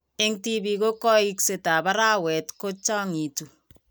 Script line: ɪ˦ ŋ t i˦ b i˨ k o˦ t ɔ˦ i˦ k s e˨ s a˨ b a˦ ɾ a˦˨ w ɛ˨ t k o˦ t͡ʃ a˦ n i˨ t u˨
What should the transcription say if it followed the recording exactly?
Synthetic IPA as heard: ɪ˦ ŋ t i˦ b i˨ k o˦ k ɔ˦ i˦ k s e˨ t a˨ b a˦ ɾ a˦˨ w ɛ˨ t k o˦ t͡ʃ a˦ ŋ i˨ t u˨